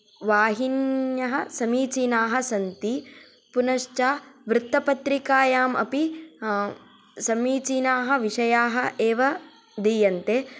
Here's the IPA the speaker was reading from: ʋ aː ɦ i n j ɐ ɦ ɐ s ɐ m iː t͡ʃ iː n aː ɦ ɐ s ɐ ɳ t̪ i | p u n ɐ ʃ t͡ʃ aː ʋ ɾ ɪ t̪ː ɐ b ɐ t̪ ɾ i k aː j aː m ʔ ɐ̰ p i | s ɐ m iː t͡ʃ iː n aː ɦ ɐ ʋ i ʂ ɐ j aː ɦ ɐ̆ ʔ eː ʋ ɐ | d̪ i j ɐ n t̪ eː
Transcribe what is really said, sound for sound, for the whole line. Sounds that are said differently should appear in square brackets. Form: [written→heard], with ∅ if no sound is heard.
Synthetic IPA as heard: ʋ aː ɦ i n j ɐ ɦ ɐ s ɐ m iː t͡ʃ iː n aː ɦ ɐ s ɐ [ɳ→n] t̪ i | p u n ɐ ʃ t͡ʃ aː ʋ ɾ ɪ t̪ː ɐ [b→p] ɐ t̪ ɾ i k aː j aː m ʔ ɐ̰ p i | s ɐ m iː t͡ʃ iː n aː ɦ ɐ ʋ i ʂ ɐ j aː ɦ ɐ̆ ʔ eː ʋ ɐ | d̪ i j ɐ n t̪ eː